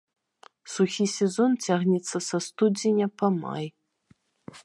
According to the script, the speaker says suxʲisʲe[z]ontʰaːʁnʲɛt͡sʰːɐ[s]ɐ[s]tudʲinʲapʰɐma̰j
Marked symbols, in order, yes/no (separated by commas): yes, yes, yes